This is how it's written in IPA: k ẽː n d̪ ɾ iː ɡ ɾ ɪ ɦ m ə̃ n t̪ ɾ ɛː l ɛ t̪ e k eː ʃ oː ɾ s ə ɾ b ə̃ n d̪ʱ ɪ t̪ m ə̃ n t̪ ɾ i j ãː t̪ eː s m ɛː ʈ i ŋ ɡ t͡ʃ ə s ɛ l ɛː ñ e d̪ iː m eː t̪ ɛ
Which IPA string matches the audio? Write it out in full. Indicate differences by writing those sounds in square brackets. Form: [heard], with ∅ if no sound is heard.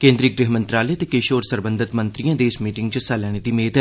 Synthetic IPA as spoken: k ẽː n d̪ ɾ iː ɡ ɾ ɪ ɦ m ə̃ n t̪ ɾ [aː] l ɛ t̪ e k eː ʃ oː ɾ s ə ɾ b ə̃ n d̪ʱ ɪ t̪ m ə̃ n t̪ ɾ i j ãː [d̪] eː s m [iː] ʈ [ɪ] ŋ ɡ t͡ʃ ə s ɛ l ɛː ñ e d̪ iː m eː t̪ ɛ